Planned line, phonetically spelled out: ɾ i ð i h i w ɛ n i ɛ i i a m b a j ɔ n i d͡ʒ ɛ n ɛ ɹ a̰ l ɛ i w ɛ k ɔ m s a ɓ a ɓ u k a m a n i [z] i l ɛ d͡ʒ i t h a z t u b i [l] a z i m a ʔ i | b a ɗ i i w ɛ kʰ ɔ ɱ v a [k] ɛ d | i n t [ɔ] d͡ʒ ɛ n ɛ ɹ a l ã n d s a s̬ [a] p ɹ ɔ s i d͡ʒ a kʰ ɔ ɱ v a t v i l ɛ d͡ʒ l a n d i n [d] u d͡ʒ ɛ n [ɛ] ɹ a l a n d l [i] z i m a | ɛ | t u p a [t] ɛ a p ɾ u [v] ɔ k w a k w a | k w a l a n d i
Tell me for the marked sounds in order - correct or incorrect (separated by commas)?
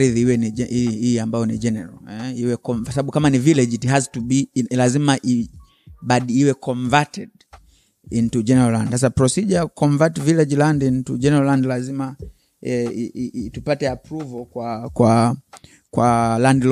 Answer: incorrect, correct, incorrect, incorrect, correct, incorrect, correct, incorrect, correct, correct